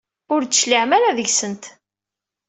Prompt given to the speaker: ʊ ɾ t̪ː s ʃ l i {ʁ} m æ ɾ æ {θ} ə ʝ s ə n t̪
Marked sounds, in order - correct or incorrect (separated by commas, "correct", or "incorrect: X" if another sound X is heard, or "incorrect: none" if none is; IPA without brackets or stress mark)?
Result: incorrect: ʕ, incorrect: ð